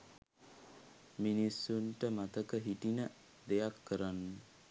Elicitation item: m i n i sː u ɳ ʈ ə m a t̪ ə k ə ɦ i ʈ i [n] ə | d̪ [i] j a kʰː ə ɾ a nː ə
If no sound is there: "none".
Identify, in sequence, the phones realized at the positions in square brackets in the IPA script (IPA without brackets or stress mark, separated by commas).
n, e